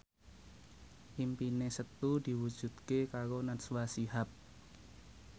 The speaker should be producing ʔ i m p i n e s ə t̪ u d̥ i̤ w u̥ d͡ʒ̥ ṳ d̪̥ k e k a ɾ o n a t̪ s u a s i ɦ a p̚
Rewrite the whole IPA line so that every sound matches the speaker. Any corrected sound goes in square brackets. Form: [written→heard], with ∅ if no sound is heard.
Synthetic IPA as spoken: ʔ i m p i n e s ə t̪ u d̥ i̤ w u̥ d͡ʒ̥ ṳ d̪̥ k e k a ɾ o n a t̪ s [u→w] a s i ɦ a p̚